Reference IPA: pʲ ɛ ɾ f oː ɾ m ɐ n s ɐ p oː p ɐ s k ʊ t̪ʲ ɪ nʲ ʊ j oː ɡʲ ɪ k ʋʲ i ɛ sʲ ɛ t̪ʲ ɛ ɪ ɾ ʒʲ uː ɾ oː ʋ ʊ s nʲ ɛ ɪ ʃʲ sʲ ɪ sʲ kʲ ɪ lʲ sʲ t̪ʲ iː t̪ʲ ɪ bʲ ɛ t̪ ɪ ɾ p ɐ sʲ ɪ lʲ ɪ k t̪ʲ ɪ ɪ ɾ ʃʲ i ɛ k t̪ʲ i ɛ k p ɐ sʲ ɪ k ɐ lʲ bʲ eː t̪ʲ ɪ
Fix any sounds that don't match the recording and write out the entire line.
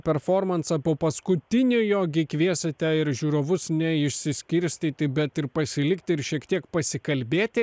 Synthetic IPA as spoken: pʲ ɛ ɾ f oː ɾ m ɐ n s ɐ p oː p ɐ s k ʊ t̪ʲ ɪ nʲ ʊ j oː ɡʲ ɪ k ʋʲ i ɛ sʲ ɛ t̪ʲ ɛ ɪ ɾ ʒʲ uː ɾ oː ʋ ʊ s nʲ ɛ ɪ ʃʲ sʲ ɪ sʲ kʲ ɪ ɾʲ sʲ t̪ʲ iː t̪ʲ ɪ bʲ ɛ t̪ ɪ ɾ p ɐ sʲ ɪ lʲ ɪ k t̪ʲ ɪ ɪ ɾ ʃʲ i ɛ k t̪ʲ i ɛ k p ɐ sʲ ɪ k ɐ lʲ bʲ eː t̪ʲ ɪ